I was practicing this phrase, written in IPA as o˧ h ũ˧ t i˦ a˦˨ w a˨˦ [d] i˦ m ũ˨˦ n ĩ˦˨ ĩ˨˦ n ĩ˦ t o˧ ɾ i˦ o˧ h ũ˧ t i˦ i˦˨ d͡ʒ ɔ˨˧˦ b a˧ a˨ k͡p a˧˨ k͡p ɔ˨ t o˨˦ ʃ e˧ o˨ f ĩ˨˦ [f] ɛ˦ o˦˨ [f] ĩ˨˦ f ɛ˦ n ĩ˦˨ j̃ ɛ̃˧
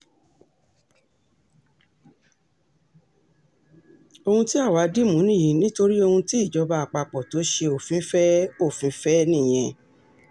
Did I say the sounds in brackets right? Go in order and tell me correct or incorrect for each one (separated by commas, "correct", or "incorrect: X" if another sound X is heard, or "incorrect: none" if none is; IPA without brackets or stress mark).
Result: correct, correct, correct